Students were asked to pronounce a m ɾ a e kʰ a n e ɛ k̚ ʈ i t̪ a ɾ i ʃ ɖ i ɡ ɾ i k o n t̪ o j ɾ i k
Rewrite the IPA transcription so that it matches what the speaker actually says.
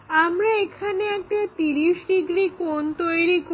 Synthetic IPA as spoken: a m ɾ a e kʰ a n e ɛ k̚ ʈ a t̪ i ɾ i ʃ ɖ i ɡ ɾ i k o n t̪ o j ɾ i k

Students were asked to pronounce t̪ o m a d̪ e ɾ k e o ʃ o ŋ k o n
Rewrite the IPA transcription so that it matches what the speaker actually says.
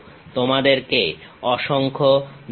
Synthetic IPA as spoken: t̪ o m a d̪ e ɾ k e ɔ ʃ o ŋ kʰ o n

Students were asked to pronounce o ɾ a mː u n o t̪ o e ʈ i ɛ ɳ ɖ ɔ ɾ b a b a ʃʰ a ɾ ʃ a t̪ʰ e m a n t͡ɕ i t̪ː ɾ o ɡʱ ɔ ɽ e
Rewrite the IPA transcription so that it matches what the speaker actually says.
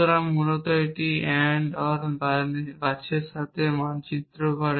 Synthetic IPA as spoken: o ɾ a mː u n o t̪ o e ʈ i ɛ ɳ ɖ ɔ ɾ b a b a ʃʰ e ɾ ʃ a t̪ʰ e m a n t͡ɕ i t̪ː ɾ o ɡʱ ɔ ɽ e

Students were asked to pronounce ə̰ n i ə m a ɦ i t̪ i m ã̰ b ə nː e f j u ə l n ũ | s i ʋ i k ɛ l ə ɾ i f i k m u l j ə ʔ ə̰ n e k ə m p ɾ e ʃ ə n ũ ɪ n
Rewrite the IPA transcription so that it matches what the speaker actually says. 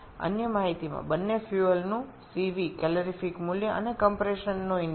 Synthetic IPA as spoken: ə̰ n j ə m a ɦ i t̪ i m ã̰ b ə nː e f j u ə l n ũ | s i ʋ i k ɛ l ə ɾ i f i k m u l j ə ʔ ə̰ n e k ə m p ɾ e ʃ ə nː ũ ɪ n

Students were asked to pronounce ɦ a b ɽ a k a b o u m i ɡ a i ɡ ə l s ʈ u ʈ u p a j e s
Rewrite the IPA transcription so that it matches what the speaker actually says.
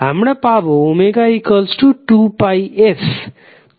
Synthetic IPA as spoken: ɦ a m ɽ a p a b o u m e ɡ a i k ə l s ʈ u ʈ u p a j e s

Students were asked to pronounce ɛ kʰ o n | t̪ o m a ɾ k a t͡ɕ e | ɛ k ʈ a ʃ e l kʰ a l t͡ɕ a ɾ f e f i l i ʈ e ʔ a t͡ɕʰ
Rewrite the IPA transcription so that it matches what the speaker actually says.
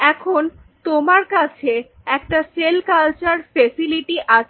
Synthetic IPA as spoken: ɛ kʰ o n | t̪ o m a ɾ k a t͡ɕʰ e | ɛ k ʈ a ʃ e l k a l t͡ɕ a ɾ f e s i l i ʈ i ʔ a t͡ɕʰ

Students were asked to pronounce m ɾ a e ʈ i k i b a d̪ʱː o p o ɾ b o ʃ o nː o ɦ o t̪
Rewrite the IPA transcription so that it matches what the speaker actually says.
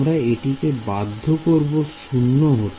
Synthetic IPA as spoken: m ɾ a e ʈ i k e b a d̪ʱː o k o ɾ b o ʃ u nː o ɦ o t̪

